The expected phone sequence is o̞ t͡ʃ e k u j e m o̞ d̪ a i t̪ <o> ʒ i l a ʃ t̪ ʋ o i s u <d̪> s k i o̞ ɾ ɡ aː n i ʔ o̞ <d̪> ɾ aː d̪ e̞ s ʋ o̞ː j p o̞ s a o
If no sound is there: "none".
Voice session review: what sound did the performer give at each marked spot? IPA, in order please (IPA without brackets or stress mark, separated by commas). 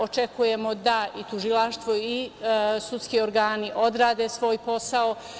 u, t̪, d̪